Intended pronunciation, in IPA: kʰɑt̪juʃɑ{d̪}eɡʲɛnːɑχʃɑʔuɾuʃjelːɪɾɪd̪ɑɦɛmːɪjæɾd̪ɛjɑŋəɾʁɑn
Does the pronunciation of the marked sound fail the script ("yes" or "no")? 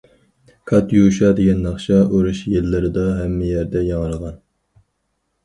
no